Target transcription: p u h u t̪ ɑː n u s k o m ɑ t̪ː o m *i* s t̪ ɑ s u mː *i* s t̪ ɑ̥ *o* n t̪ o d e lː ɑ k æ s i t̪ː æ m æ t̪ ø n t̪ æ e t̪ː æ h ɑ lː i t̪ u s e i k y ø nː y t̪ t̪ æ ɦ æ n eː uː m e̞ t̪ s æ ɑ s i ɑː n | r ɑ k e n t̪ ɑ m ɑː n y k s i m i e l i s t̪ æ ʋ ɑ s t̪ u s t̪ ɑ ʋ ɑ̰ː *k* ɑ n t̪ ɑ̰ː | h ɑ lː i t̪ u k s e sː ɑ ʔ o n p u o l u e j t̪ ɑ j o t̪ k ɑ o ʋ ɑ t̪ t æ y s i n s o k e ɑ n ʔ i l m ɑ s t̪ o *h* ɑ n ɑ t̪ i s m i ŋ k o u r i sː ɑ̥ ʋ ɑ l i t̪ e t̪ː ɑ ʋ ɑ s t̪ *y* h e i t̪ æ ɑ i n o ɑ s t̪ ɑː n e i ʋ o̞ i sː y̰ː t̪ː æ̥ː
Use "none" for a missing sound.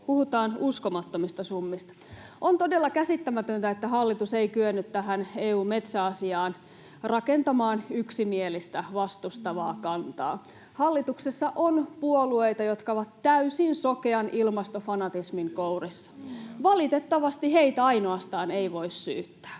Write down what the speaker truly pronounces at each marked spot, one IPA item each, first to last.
i, i, o, k, f, i

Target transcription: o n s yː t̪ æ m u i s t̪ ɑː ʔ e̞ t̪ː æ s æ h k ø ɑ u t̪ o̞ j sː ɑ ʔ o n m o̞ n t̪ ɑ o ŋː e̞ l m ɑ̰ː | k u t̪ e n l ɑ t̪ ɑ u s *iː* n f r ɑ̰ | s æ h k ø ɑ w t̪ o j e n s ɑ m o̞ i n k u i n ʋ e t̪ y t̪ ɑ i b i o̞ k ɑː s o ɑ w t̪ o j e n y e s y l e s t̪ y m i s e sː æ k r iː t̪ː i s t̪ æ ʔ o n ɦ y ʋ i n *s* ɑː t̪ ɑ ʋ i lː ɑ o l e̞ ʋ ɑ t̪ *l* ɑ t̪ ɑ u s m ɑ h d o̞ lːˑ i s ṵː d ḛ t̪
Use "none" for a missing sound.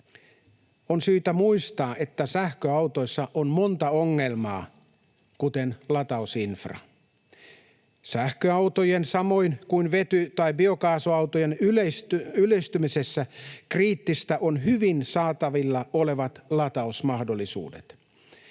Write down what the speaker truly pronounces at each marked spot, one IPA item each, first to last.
i, s, l

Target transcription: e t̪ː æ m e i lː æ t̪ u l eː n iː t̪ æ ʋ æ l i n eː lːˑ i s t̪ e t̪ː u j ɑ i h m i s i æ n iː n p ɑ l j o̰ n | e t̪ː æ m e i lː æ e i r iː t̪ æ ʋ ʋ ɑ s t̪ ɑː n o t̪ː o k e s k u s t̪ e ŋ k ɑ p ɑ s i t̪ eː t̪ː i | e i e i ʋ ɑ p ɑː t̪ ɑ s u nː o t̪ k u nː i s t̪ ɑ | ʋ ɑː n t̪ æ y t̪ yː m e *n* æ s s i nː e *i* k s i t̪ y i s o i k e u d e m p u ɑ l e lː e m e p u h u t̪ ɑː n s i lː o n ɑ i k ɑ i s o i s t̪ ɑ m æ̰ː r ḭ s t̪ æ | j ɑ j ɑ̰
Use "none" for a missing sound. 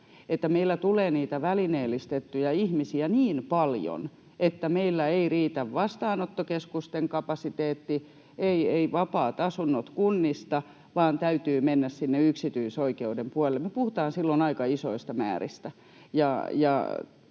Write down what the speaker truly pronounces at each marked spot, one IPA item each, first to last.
nː, y

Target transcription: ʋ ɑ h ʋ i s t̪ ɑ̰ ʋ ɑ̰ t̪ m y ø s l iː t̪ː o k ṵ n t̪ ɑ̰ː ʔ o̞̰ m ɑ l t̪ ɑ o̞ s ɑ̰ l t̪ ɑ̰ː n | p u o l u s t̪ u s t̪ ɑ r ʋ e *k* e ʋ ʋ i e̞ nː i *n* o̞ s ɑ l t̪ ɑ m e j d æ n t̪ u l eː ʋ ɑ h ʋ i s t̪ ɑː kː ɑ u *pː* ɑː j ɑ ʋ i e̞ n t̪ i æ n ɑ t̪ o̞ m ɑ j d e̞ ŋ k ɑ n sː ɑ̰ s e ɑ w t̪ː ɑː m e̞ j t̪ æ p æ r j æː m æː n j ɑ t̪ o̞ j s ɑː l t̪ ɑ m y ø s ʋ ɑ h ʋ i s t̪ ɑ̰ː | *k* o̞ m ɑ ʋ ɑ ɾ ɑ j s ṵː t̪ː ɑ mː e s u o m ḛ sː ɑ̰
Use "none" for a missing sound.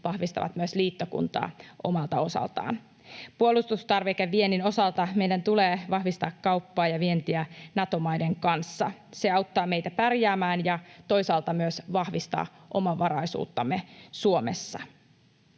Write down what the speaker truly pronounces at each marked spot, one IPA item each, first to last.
k, n, pː, ʔ

